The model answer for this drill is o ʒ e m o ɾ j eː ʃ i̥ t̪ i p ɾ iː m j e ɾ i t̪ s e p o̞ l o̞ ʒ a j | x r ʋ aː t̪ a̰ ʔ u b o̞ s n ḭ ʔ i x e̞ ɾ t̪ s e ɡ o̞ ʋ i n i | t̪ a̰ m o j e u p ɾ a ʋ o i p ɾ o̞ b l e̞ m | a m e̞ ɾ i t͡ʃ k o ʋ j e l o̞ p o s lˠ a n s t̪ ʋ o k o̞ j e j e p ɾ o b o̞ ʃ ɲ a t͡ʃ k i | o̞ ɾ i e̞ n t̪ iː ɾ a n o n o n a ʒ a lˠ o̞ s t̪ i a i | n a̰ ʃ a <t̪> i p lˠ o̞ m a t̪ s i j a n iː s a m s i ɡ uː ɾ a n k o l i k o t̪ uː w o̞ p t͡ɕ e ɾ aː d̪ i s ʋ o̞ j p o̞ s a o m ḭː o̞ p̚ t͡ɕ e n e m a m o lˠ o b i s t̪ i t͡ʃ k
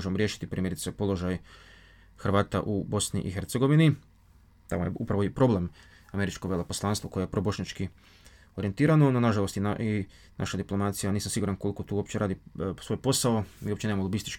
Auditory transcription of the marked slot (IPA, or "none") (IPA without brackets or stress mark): d̪